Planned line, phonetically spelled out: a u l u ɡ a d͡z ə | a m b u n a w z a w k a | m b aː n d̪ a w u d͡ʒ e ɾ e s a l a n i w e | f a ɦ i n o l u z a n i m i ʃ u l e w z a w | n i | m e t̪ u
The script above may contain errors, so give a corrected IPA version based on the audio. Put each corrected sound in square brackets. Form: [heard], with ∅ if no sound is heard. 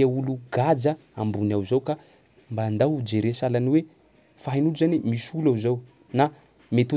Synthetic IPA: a u l u ɡ a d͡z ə | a m b u n a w z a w k a | m b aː n d̪ a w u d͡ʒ e ɾ e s a l a n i w e | f a ɦ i n [u] l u z a n i m i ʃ u l [a] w z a w | n [a] | m e t̪ u